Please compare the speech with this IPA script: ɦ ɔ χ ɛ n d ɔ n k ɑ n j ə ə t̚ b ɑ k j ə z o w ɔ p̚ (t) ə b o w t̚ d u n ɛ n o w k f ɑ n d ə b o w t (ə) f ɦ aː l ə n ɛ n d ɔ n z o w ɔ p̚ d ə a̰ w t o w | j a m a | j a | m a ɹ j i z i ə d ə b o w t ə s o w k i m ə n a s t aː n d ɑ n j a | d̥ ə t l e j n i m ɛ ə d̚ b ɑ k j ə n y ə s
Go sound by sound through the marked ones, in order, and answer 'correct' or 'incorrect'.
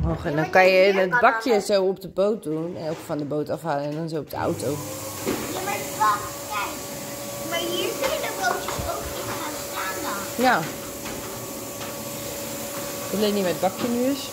incorrect, incorrect

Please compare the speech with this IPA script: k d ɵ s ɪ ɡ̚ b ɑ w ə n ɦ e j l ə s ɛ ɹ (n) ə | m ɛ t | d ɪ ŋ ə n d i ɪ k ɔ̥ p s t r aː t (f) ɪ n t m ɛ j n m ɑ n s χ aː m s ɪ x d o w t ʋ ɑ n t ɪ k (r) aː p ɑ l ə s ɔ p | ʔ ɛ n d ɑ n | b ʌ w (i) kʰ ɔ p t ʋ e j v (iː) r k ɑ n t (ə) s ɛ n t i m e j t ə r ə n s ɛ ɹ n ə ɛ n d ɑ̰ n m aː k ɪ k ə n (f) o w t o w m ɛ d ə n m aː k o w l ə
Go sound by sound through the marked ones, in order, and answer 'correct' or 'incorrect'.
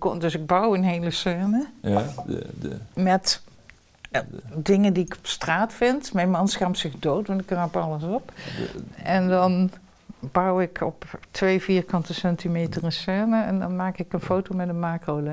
correct, correct, correct, incorrect, correct, correct, correct

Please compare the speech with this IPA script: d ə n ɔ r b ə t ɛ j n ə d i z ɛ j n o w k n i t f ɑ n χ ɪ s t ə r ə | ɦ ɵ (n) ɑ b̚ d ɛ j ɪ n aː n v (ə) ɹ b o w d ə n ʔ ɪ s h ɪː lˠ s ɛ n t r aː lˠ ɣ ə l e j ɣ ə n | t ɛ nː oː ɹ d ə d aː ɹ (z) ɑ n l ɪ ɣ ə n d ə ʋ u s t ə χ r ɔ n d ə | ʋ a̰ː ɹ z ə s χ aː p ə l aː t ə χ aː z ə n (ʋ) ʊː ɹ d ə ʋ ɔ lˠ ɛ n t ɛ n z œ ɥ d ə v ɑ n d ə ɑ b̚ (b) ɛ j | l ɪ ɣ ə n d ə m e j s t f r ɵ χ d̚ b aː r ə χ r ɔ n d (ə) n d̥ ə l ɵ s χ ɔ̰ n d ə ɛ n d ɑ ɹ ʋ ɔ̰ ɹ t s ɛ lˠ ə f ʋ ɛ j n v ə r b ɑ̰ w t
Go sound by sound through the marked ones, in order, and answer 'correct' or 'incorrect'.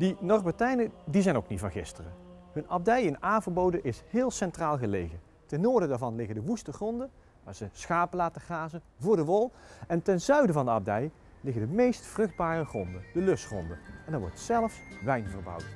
correct, correct, incorrect, incorrect, incorrect, correct

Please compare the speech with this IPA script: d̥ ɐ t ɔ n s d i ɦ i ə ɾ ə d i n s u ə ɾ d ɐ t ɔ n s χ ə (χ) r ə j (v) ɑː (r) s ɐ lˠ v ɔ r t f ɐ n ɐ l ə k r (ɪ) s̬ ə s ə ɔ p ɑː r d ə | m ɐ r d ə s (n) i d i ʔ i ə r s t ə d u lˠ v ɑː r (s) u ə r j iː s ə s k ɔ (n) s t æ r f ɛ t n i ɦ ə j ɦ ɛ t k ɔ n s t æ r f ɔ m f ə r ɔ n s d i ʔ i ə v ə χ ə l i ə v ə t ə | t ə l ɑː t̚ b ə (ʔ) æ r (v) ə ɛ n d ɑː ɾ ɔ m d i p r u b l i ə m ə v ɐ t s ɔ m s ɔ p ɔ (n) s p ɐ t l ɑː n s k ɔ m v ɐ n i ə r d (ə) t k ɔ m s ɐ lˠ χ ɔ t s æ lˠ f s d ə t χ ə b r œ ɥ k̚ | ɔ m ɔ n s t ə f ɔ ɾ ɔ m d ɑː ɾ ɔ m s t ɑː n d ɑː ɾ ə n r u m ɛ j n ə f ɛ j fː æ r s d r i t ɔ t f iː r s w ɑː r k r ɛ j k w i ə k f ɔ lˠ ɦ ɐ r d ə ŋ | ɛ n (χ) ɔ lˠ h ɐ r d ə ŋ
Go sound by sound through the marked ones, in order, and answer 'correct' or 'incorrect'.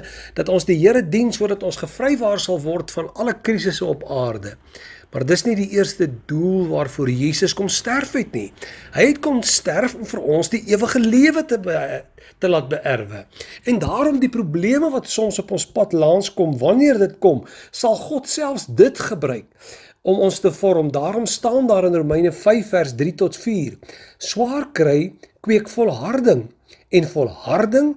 incorrect, correct, correct, incorrect, correct, incorrect, incorrect, correct, correct, correct, correct, incorrect

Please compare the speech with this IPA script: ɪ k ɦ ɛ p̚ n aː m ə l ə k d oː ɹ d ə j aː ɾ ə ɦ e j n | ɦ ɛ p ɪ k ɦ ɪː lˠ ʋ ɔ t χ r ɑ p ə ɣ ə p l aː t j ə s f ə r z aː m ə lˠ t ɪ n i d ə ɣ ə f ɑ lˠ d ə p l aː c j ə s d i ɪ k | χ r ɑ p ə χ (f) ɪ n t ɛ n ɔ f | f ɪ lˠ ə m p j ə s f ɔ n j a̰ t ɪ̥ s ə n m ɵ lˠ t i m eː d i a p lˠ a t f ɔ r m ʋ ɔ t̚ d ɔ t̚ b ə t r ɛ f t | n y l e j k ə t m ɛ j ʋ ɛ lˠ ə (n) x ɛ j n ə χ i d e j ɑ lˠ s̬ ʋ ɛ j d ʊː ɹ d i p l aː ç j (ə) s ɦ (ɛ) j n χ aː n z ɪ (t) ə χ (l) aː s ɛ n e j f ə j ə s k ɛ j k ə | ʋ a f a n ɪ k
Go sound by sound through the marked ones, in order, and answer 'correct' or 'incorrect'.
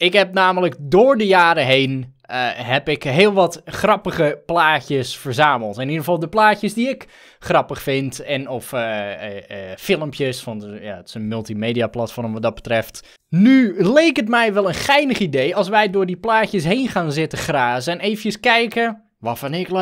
correct, correct, correct, incorrect, correct, incorrect

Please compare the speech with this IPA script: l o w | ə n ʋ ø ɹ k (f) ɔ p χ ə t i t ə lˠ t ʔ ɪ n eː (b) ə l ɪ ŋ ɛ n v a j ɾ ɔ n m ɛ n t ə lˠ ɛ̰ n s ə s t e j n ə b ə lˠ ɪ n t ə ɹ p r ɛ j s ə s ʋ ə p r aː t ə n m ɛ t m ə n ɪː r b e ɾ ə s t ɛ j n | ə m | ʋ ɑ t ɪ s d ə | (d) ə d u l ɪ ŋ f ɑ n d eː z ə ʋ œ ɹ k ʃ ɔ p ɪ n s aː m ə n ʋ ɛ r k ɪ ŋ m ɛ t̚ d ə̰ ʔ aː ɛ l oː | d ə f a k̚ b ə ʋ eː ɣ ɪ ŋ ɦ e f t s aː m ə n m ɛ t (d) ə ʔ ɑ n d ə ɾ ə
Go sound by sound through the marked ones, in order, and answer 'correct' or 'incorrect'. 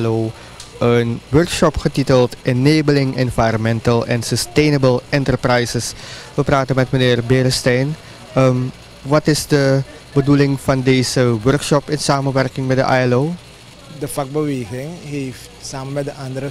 incorrect, correct, incorrect, correct

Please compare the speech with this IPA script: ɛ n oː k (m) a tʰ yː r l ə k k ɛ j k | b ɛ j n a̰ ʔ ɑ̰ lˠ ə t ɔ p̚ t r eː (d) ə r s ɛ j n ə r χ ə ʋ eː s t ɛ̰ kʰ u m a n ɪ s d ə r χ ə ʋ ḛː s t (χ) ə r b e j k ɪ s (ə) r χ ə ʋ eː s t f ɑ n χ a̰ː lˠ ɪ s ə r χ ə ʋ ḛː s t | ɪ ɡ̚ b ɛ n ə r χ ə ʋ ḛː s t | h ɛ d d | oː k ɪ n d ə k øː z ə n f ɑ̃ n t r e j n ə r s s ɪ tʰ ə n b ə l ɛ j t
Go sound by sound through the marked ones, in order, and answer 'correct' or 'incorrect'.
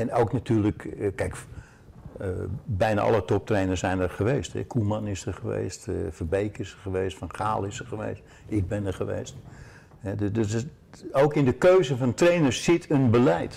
incorrect, incorrect, incorrect, correct

